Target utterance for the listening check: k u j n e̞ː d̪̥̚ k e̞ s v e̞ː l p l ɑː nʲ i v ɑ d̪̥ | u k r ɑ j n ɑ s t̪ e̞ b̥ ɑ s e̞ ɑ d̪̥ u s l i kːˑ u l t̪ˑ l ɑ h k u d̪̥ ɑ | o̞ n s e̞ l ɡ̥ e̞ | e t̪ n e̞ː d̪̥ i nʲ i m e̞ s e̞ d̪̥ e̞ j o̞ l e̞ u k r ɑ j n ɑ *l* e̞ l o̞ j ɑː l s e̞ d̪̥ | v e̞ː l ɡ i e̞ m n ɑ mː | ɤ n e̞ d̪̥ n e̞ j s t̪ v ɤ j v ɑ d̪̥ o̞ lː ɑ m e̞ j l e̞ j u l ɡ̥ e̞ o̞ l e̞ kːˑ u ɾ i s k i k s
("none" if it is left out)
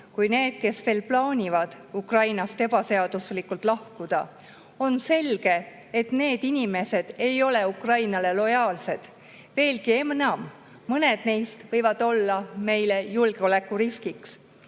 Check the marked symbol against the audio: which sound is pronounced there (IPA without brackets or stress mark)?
l